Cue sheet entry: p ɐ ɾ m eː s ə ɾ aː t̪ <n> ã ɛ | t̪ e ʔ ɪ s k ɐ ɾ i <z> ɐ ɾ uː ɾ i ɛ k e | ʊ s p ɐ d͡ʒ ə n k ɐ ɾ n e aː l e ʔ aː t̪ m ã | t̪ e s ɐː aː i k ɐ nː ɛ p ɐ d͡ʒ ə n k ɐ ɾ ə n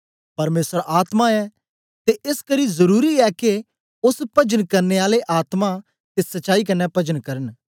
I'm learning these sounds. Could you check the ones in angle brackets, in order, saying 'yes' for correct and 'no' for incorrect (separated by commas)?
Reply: no, yes